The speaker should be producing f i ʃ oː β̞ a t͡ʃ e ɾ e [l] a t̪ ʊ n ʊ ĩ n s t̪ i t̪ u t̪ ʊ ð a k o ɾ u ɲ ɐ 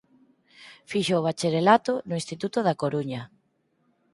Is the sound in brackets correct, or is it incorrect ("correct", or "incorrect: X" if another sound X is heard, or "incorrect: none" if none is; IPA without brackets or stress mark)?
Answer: correct